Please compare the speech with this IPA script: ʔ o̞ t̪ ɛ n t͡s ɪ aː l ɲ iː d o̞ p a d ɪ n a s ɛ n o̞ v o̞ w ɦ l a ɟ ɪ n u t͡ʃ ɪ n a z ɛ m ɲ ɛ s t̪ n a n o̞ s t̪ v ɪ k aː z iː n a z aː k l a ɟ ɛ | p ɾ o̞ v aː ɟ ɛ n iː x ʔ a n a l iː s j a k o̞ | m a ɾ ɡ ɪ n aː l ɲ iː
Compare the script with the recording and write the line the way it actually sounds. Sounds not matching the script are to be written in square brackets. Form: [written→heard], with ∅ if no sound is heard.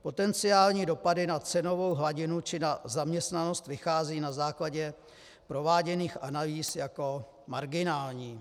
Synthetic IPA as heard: [ʔ→p] o̞ t̪ ɛ n t͡s ɪ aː l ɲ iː d o̞ p a d ɪ n a [s→t͡s] ɛ n o̞ v o̞ w ɦ l a ɟ ɪ n u t͡ʃ ɪ n a z [ɛ→a] m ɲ ɛ s t̪ n a n o̞ s t̪ v ɪ [k→x] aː z iː n a z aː k l a ɟ ɛ | p ɾ o̞ v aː ɟ ɛ n iː x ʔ a n a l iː s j a k o̞ | m a ɾ ɡ ɪ n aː l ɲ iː